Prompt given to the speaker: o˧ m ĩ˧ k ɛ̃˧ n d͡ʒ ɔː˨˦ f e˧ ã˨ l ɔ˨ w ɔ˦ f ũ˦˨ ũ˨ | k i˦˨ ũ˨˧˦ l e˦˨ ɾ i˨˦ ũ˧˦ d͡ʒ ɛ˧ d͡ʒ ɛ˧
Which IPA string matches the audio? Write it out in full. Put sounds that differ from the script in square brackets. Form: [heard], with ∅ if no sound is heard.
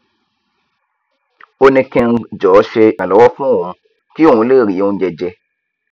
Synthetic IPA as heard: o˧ [n] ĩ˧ k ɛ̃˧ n d͡ʒ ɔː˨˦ [ʃ] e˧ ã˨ l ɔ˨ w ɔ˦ f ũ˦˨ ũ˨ | k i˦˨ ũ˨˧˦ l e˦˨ ɾ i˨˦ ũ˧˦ d͡ʒ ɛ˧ d͡ʒ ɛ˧